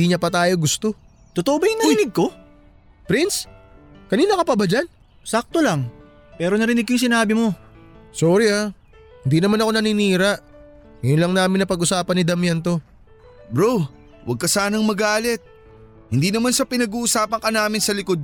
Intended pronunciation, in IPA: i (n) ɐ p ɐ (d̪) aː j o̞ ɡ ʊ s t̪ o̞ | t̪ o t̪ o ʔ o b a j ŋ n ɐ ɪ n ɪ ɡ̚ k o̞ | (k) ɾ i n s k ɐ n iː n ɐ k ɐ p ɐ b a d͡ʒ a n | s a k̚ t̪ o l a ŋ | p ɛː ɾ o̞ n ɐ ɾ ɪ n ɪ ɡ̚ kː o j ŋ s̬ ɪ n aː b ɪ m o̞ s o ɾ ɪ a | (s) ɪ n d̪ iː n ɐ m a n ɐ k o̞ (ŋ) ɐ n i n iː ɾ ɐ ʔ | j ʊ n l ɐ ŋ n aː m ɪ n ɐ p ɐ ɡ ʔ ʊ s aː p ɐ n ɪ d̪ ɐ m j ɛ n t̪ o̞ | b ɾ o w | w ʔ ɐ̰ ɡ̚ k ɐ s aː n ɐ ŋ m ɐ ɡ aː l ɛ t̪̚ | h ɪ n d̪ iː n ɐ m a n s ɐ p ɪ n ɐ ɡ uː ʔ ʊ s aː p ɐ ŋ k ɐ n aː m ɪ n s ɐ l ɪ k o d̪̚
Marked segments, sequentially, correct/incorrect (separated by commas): incorrect, incorrect, incorrect, incorrect, incorrect